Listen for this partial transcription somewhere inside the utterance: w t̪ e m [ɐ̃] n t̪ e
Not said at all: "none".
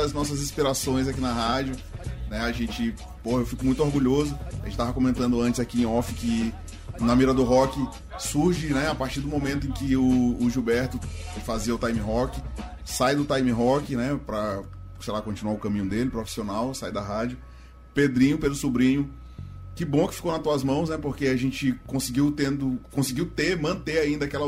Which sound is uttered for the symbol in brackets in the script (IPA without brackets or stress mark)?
ɐ̃